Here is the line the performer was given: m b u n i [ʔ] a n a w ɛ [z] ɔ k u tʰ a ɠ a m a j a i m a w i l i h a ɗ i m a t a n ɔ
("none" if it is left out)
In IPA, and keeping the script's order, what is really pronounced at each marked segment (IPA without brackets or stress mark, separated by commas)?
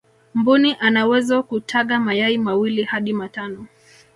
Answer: ʔ, z